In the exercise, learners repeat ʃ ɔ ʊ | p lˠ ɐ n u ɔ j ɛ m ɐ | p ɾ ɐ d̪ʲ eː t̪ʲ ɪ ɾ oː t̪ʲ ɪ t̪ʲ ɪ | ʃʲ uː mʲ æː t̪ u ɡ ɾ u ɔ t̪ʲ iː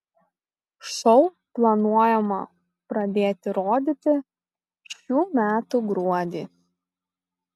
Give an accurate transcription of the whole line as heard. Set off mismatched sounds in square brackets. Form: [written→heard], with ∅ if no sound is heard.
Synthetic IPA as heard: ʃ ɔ ʊ | p lˠ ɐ n u ɔ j ɛ m ɐ | p ɾ ɐ d̪ʲ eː t̪ʲ ɪ ɾ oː [t̪ʲ→d̪ʲ] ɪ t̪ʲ ɪ | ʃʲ uː mʲ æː t̪ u ɡ ɾ u ɔ [t̪ʲ→d̪ʲ] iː